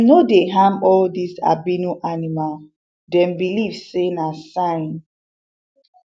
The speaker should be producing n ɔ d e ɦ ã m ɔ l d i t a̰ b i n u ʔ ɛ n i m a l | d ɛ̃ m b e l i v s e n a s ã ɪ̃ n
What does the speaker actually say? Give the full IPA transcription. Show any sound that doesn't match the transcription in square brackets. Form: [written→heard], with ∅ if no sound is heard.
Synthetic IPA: n [ɔ→o] d e ɦ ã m ɔ l d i [t→s] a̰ b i n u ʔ [ɛ→a] n i m a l | d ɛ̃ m b [e→i] l i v s e n a s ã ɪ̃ n